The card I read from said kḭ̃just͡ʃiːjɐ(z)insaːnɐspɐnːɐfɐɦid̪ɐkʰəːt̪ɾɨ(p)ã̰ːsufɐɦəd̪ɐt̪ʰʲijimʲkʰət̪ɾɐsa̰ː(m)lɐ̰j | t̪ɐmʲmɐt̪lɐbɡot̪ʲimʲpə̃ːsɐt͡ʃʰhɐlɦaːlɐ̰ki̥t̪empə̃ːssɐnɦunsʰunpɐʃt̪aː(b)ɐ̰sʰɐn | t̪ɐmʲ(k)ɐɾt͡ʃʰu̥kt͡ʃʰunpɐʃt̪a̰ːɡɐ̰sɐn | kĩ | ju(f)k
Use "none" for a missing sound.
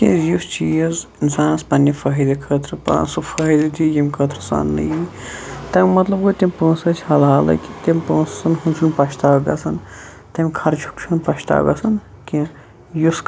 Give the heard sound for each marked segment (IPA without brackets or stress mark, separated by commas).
z, p, n, ɡ, kʰ, s